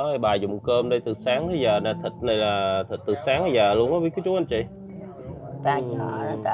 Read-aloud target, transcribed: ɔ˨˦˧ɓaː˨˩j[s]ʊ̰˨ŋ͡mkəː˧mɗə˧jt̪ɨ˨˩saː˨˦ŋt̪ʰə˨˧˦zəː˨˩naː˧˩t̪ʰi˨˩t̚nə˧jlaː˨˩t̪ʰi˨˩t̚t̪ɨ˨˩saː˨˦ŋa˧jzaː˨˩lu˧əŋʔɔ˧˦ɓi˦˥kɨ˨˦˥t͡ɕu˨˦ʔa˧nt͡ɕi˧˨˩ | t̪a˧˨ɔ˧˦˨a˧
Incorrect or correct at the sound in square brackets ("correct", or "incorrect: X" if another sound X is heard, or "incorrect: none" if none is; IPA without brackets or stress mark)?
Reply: incorrect: z